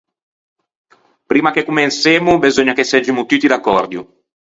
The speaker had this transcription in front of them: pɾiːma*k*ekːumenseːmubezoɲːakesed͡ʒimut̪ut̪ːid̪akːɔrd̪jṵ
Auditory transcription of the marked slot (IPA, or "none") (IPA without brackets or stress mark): k